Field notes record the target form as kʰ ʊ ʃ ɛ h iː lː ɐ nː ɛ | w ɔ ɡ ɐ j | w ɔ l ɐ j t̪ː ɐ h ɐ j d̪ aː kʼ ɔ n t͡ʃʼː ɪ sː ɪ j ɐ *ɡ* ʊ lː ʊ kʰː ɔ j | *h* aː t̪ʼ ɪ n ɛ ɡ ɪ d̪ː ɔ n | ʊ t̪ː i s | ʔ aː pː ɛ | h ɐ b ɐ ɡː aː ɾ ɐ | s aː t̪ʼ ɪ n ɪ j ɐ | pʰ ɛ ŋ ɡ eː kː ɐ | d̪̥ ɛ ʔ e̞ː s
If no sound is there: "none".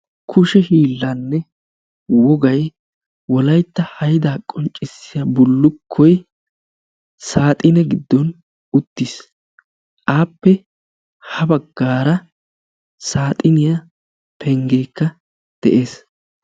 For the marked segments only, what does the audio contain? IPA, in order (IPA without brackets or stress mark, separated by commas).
b, s